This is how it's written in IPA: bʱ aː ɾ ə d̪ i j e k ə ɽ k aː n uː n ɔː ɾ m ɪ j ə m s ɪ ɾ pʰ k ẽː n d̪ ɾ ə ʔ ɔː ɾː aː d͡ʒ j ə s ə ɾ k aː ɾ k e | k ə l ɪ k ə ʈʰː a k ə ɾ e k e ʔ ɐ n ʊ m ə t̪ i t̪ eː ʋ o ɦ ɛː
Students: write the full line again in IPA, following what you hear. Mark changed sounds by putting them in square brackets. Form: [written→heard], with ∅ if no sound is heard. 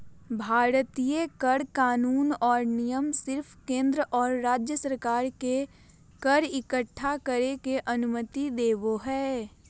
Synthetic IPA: bʱ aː ɾ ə [d̪→t̪] i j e k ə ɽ k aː n uː n ɔː ɾ [m→n] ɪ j ə m s ɪ ɾ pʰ k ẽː n d̪ ɾ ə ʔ ɔː ɾː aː d͡ʒ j ə s ə ɾ k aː ɾ k e | k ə [l→ɾ] ɪ k ə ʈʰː a k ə ɾ e k e ʔ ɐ n ʊ m ə t̪ i [t̪→d̪] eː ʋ o ɦ ɛː